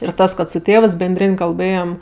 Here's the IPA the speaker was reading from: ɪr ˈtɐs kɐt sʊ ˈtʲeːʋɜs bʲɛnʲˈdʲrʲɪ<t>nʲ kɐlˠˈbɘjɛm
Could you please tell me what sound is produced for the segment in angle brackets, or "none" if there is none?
none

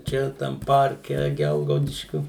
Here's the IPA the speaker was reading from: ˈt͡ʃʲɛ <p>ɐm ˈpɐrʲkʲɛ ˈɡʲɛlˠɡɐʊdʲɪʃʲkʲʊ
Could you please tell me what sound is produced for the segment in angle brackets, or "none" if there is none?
t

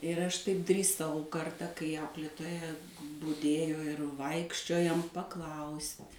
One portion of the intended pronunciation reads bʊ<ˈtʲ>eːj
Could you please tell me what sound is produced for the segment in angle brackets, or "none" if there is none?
dʲ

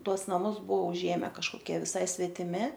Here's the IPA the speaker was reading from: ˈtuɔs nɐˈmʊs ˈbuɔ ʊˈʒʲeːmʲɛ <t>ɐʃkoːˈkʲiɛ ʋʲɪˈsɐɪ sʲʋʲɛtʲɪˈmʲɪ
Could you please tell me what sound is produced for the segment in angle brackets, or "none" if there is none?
k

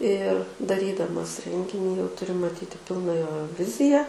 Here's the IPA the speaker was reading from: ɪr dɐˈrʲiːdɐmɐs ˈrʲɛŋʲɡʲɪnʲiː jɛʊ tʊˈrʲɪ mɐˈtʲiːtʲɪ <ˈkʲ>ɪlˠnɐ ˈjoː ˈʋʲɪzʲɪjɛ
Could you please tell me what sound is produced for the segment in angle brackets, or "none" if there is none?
pʲ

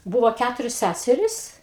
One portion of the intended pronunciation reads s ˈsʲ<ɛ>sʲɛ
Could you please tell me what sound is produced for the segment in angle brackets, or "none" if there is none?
æ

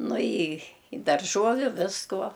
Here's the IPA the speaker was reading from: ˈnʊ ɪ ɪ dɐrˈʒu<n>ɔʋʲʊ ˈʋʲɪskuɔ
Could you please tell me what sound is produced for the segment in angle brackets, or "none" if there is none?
none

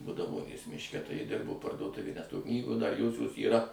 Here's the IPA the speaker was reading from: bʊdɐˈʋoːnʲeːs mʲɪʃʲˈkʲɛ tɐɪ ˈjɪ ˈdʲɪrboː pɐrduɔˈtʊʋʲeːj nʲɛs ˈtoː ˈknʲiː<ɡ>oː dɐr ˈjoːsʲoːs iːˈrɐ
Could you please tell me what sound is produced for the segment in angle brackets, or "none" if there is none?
ɡ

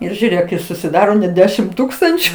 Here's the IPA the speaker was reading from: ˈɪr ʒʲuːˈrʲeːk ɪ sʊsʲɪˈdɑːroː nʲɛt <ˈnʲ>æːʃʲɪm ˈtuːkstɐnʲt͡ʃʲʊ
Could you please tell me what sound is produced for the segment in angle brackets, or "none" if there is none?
dʲ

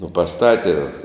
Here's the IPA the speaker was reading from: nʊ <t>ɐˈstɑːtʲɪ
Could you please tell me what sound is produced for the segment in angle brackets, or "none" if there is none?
p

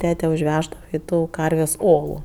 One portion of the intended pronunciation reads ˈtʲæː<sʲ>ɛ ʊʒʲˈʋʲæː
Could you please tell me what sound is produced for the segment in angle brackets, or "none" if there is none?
tʲ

